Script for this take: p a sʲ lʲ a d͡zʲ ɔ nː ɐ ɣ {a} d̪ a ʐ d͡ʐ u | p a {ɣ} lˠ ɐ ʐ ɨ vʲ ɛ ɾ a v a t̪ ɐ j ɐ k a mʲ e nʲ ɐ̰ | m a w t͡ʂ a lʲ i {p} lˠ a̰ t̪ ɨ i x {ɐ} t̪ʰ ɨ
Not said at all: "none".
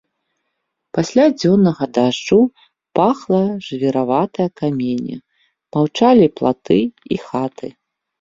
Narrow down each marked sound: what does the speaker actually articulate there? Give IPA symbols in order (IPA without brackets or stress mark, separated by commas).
ɐ, x, p, a